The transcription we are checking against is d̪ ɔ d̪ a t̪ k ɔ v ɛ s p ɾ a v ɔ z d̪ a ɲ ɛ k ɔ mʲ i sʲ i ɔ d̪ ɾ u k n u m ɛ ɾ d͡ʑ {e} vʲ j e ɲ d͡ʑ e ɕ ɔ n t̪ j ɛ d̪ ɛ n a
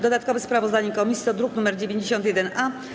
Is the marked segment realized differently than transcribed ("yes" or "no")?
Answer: no